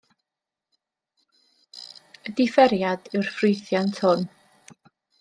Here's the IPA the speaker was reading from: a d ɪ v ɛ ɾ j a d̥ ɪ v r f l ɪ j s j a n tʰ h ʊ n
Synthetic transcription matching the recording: ə d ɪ f ɛ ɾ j a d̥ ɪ w r f r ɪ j θ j a n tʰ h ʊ n